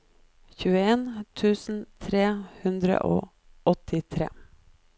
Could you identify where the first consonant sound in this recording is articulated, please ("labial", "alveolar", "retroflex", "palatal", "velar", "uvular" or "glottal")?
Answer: palatal